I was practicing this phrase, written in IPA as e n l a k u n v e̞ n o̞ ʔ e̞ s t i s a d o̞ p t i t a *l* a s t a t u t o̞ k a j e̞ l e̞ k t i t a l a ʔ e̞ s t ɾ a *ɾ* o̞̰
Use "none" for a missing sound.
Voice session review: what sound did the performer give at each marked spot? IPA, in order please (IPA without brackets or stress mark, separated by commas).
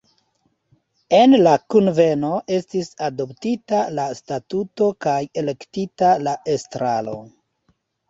l, l